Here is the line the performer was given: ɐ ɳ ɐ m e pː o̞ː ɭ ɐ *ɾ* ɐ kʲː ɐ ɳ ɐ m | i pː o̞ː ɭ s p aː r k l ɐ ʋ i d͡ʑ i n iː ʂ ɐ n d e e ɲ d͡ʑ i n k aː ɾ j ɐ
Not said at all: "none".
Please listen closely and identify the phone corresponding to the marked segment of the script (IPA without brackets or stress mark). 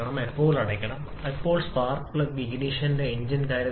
ɽ